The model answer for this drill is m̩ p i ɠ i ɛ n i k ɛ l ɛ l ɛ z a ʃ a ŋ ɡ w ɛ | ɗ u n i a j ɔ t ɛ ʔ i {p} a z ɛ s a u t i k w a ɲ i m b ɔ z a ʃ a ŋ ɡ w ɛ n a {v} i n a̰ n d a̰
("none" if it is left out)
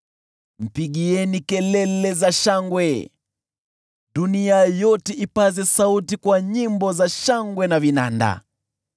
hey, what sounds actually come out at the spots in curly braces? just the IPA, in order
p, v

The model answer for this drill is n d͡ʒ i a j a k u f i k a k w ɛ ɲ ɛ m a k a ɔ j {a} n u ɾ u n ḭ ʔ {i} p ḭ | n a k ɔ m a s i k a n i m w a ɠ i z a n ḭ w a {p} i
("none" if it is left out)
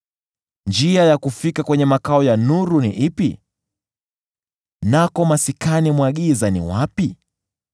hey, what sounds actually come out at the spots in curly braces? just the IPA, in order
a, i, p

